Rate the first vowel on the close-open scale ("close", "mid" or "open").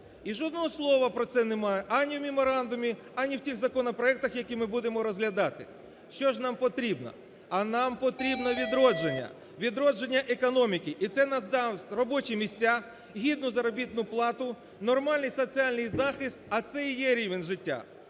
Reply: close